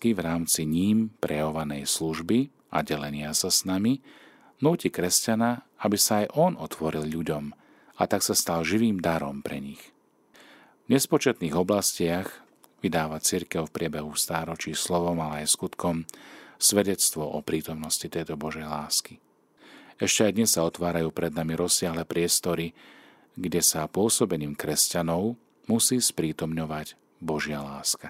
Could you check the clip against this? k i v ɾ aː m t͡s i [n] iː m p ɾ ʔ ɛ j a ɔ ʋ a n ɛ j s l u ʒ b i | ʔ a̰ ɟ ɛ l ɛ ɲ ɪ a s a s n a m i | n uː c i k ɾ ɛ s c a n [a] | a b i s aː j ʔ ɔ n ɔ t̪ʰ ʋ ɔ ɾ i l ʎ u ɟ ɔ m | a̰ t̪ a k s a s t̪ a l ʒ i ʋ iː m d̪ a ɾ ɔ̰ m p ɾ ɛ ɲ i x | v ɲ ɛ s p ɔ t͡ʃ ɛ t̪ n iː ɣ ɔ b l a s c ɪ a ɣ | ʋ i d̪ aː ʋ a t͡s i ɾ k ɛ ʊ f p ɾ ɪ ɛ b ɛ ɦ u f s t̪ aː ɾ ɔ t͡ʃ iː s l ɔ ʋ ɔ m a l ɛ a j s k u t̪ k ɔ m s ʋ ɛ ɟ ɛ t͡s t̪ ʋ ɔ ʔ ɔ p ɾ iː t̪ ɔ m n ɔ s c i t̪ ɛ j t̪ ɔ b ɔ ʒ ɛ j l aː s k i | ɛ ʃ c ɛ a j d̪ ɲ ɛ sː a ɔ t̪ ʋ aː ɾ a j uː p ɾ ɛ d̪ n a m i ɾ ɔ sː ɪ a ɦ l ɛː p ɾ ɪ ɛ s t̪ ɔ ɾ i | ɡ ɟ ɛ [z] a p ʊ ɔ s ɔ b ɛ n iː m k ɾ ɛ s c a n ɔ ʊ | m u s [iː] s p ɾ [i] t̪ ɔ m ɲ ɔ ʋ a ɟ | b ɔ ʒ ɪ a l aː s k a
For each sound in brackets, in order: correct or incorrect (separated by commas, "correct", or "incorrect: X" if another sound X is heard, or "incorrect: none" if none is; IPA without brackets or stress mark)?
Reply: incorrect: ɲ, correct, incorrect: s, correct, incorrect: iː